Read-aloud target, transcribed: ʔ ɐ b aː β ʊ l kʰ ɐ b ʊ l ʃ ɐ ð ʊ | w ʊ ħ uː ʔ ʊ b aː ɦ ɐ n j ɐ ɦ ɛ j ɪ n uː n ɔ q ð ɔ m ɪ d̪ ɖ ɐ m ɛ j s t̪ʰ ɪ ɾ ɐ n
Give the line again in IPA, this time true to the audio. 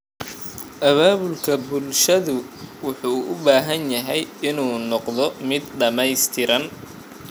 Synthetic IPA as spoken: ʔ ɐ β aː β ʊ l kʰ ɐ b ʊ l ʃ ɐ ð ʊ | w ʊ ħ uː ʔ ʊ b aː ɦ ɐ n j ɐ ɦ ɛ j ɪ n uː n ɔ q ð ɔ m ɪ d̪ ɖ ɐ m ɛ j s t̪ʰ ɪ ɾ ɐ n